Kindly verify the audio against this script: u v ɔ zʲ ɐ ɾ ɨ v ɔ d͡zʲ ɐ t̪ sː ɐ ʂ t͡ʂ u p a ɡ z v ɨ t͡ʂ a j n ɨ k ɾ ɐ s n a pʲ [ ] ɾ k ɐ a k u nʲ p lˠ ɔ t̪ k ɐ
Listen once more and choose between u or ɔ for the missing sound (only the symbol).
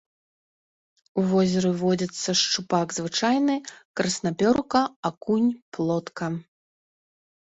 ɔ